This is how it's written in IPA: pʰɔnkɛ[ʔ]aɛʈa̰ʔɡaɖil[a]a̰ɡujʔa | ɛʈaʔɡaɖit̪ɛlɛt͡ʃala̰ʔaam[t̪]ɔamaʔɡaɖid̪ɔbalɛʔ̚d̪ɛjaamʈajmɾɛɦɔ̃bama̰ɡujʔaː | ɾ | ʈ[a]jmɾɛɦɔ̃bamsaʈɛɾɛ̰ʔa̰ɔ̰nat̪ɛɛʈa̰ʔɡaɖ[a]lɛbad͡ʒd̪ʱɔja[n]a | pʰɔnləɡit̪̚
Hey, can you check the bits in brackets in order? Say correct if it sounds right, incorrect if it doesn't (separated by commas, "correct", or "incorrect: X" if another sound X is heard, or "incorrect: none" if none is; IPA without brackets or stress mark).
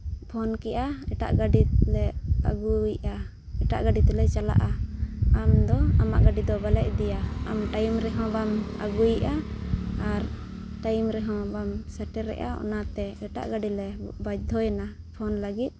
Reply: correct, incorrect: ɛ, incorrect: d̪, correct, incorrect: i, correct